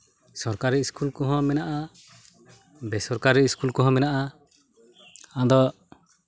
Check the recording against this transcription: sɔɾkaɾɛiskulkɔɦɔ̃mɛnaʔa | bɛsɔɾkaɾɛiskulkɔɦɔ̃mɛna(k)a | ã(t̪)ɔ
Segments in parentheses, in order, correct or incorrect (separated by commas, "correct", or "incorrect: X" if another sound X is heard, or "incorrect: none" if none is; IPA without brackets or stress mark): incorrect: ʔ, incorrect: d̪